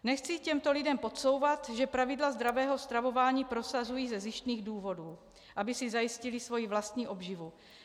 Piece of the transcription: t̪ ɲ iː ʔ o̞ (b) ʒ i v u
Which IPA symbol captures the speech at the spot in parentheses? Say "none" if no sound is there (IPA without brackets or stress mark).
b